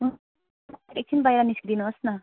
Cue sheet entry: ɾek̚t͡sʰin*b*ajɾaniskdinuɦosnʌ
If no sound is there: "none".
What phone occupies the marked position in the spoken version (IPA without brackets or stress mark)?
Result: b